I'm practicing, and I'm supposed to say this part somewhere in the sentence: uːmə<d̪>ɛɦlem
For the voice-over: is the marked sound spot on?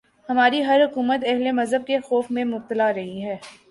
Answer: no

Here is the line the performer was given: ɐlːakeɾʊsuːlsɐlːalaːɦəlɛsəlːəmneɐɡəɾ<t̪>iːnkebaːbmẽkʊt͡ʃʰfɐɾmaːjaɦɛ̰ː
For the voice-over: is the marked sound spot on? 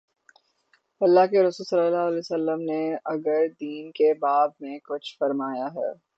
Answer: no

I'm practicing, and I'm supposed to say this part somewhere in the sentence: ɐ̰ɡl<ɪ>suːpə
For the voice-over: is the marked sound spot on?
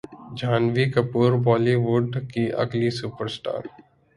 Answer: no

